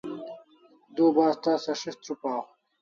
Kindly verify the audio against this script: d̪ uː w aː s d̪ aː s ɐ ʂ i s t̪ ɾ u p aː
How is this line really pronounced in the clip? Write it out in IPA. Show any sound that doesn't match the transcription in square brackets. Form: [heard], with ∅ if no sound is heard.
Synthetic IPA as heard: d̪ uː [b] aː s [t̪] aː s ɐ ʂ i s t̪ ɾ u p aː